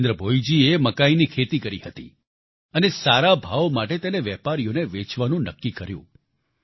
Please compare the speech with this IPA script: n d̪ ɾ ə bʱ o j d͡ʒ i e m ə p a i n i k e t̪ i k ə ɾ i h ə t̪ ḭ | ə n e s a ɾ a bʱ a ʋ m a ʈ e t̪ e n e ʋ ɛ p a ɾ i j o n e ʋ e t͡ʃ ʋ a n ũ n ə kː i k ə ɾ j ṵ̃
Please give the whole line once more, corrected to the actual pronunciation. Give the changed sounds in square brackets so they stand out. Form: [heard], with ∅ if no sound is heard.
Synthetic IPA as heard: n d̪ ɾ ə bʱ o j d͡ʒ i e m ə [k] a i n i [kʰ] e t̪ i k ə ɾ i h ə t̪ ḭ | ə n e s a ɾ a bʱ a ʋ m a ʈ e t̪ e n e ʋ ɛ p a ɾ i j o n e ʋ e t͡ʃ ʋ a n ũ n ə kː i k ə ɾ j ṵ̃